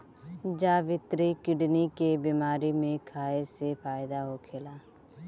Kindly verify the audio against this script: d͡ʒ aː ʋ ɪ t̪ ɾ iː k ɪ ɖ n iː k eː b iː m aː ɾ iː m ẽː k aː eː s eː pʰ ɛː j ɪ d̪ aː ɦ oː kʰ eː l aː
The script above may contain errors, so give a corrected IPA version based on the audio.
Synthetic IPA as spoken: d͡ʒ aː ʋ ɪ t̪ ɾ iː k ɪ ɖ n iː k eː b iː m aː ɾ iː m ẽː kʰ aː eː s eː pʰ aː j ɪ d̪ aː ɦ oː kʰ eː l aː